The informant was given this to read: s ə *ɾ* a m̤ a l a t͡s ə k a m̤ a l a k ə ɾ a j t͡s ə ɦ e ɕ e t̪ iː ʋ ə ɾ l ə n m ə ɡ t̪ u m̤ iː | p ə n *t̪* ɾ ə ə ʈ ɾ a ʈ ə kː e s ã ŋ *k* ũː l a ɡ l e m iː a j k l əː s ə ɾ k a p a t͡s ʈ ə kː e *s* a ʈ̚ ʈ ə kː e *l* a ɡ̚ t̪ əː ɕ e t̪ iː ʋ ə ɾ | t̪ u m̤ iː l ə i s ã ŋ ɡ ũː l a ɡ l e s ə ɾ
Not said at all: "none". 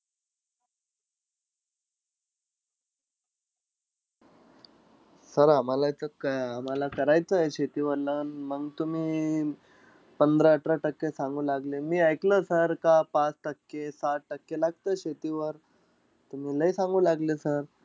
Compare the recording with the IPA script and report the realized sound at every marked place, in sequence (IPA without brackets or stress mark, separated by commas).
ɾ, d̪, ɡ, s, l